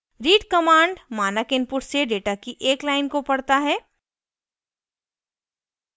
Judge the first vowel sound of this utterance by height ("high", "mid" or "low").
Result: high